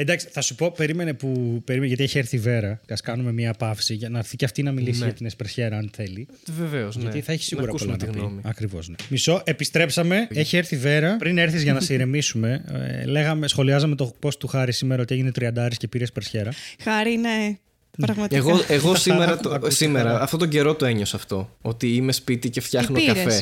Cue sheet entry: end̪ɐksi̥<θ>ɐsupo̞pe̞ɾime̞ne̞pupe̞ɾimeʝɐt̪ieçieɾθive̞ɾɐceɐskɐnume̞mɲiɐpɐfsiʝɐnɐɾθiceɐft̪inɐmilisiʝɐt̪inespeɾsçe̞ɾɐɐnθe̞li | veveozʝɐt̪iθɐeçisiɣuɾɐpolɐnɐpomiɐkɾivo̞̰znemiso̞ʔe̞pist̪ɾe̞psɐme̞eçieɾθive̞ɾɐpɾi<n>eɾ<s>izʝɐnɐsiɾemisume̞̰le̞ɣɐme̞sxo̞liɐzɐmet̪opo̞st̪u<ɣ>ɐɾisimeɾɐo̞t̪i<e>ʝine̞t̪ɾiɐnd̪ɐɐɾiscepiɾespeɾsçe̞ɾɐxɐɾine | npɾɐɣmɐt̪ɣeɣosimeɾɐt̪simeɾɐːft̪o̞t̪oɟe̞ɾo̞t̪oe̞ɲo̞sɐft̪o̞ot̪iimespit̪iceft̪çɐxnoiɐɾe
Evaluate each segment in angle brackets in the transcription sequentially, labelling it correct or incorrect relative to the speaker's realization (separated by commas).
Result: correct, correct, incorrect, incorrect, correct